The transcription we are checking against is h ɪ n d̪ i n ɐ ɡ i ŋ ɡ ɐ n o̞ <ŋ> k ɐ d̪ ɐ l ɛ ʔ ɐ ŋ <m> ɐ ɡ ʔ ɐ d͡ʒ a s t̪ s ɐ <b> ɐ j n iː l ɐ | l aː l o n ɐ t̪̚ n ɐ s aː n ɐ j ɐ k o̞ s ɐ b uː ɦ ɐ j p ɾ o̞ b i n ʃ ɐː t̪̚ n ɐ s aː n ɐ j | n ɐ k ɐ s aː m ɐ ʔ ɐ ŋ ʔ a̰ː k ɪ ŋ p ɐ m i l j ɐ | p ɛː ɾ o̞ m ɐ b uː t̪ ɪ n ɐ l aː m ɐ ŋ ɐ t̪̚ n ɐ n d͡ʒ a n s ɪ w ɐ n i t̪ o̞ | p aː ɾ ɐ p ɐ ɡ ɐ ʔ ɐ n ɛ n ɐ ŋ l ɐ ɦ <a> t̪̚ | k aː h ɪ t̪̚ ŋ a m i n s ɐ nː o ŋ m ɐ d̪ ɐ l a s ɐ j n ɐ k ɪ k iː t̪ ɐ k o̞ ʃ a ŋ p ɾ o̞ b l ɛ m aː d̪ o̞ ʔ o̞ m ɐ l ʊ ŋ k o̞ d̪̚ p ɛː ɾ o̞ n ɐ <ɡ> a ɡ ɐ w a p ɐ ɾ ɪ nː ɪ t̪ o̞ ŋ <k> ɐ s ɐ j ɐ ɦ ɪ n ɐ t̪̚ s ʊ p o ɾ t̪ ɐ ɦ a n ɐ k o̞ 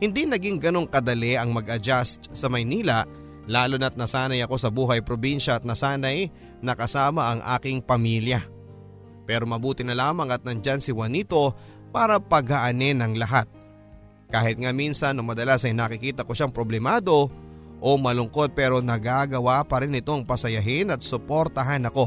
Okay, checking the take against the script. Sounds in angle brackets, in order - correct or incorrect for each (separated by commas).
correct, correct, incorrect, correct, correct, incorrect